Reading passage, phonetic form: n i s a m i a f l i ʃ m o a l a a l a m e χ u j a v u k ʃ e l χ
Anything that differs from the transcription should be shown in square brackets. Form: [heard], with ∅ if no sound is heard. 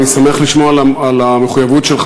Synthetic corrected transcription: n i s a m [e] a [χ] l i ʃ m o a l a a l a m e χ u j a v u [t] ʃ e l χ